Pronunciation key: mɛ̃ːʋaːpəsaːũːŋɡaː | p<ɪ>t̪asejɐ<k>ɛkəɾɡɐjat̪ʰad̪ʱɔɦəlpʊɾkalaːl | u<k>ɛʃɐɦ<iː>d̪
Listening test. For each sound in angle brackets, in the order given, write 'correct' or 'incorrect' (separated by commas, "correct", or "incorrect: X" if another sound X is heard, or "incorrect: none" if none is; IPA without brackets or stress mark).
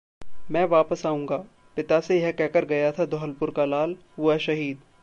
correct, correct, incorrect: none, correct